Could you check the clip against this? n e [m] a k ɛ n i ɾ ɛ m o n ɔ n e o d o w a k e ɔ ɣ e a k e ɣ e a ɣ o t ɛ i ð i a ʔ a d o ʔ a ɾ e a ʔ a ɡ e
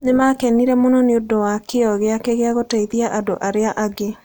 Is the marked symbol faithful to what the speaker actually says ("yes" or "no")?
yes